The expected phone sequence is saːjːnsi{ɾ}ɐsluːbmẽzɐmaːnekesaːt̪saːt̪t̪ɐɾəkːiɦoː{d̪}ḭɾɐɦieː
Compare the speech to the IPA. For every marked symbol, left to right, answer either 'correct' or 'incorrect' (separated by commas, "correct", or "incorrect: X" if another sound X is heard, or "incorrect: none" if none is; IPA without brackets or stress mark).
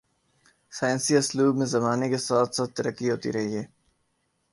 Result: incorrect: none, incorrect: t̪